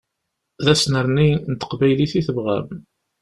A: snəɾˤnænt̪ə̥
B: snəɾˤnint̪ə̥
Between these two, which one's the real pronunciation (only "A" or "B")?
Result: B